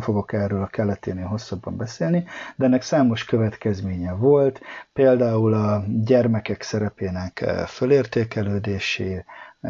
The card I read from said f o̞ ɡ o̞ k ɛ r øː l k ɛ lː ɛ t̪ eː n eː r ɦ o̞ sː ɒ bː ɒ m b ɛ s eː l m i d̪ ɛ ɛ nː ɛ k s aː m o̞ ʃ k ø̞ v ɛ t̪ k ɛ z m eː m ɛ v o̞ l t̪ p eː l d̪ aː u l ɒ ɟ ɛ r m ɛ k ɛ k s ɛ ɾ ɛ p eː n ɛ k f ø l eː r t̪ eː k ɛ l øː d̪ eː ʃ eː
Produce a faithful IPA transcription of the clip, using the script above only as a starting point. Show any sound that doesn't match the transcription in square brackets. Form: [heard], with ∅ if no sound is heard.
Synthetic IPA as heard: f o̞ ɡ o̞ k ɛ r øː l k ɛ lː ɛ t̪ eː n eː [l] ɦ o̞ sː ɒ bː ɒ m b ɛ s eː l [n] i d̪ ɛ ɛ nː ɛ k s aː m o̞ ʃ k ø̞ v ɛ t̪ k ɛ z m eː [ɲ] ɛ v o̞ l t̪ p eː l d̪ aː u l ɒ ɟ ɛ r m ɛ k ɛ k s ɛ ɾ ɛ p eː n ɛ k f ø l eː r t̪ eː k ɛ l øː d̪ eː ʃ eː